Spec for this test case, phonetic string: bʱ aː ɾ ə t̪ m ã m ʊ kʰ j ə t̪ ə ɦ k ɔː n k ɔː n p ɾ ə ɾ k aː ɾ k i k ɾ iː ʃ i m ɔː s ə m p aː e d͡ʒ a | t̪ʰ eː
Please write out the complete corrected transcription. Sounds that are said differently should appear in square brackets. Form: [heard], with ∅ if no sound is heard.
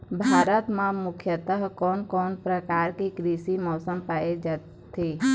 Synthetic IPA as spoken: bʱ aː ɾ ə t̪ m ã m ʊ kʰ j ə t̪ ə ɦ k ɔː n k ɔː n p ɾ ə [∅] k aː ɾ k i k ɾ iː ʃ i m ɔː s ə m p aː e d͡ʒ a | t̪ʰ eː